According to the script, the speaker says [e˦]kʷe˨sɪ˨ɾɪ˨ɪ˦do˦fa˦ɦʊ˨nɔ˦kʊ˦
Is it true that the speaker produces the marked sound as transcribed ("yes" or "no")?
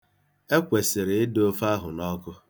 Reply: yes